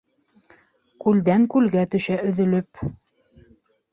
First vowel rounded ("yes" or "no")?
yes